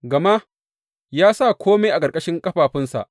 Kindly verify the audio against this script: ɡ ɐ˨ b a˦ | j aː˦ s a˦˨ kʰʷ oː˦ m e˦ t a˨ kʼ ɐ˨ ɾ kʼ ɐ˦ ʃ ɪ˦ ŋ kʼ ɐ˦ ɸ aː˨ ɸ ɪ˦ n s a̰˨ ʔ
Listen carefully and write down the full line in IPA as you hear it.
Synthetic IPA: ɡ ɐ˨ m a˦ | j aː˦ s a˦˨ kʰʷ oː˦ m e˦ ʔ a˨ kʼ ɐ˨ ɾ kʼ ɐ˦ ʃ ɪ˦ ŋ kʼ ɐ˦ ɸ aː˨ ɸ ɪ˦ n s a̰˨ ʔ